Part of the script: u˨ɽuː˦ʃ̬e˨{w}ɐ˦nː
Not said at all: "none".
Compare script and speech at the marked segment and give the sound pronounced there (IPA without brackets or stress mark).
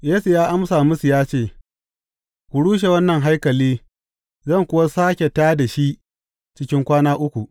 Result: w